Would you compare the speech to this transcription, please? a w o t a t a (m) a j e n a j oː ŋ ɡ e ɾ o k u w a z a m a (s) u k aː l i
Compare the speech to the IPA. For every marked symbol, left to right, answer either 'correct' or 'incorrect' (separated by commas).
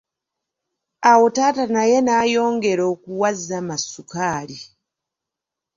incorrect, correct